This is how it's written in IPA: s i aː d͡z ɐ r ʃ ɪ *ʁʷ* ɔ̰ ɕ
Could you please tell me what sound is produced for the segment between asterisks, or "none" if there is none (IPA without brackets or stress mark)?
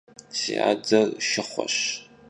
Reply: χʷ